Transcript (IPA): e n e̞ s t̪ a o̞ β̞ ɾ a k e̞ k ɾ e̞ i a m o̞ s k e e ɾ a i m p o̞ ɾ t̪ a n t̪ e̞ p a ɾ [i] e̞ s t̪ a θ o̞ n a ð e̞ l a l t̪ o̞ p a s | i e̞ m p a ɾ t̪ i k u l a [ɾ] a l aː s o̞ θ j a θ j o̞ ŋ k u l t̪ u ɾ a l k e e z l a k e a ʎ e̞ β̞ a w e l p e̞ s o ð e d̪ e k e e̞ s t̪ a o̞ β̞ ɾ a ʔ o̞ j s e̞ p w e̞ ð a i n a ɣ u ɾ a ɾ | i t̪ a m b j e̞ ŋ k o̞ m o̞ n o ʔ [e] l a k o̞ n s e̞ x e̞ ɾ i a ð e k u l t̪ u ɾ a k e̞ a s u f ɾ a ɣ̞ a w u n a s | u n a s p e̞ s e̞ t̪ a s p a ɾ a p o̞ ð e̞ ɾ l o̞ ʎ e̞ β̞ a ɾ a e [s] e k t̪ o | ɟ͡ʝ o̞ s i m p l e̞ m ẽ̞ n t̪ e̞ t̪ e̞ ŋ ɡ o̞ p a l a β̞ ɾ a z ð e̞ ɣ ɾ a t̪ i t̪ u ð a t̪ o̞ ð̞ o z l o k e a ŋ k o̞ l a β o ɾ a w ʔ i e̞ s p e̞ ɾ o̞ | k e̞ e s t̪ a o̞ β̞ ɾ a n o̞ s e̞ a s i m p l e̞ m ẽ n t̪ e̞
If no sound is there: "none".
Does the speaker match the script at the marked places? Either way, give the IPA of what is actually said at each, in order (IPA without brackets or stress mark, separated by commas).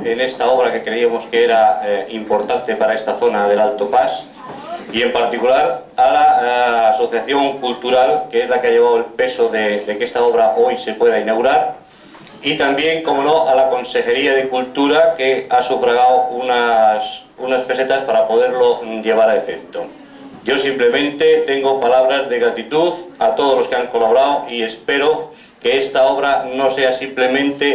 a, ɾ, a, f